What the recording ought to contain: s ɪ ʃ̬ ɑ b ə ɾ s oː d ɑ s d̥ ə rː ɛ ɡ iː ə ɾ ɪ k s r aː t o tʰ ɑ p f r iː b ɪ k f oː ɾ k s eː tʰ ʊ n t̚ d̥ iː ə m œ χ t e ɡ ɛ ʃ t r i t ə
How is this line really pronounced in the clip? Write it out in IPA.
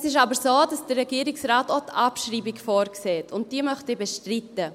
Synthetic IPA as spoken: s ɪ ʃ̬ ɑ b ə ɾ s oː d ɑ s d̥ ə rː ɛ ɡ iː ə ɾ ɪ k s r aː t o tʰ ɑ p ʃ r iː b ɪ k f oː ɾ k s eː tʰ ʊ n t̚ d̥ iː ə m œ χ t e b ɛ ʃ t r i t ə